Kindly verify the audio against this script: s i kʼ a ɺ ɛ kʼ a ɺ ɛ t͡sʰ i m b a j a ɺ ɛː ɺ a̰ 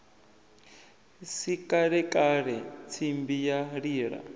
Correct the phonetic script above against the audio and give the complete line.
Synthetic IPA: s i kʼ a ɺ ɛ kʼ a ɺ ɛ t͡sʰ i m b i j a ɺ iː ɺ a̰